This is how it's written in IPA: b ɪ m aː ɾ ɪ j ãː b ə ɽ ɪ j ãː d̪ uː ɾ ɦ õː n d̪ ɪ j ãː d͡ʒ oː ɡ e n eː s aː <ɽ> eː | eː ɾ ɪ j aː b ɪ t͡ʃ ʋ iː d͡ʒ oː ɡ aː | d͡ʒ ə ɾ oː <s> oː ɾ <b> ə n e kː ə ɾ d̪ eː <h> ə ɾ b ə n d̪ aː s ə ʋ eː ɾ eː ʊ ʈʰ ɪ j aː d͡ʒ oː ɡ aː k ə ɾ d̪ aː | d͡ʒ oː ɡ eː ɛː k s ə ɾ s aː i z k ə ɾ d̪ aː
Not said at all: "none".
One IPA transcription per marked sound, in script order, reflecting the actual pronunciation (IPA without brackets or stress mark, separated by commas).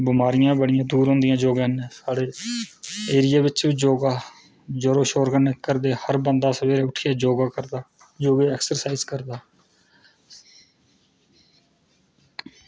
ɽ, ʃ, ɡ, h